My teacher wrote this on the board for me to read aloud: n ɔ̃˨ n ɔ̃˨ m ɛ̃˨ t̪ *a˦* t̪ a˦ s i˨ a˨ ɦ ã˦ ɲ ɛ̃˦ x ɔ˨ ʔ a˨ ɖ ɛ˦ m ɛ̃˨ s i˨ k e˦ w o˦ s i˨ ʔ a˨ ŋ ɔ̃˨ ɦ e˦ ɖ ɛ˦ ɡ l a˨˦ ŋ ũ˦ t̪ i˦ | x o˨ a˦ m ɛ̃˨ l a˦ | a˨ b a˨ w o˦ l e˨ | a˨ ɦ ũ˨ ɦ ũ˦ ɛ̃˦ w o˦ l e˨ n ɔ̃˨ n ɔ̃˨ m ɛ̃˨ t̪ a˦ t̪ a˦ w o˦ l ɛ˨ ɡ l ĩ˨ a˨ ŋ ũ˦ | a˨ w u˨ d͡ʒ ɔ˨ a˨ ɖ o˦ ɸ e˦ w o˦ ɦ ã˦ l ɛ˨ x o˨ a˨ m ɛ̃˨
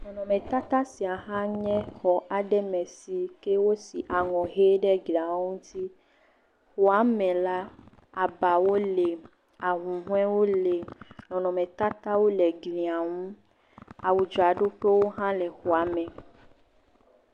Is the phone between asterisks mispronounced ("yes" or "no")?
no